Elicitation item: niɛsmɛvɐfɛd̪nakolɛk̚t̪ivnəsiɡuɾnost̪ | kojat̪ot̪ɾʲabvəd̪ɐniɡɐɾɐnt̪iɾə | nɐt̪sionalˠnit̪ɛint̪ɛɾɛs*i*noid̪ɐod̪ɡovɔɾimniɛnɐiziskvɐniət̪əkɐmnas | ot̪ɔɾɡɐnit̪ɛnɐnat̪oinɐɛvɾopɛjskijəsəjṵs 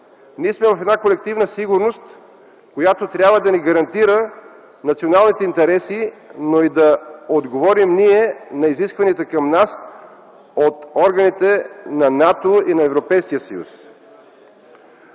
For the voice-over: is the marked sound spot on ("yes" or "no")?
yes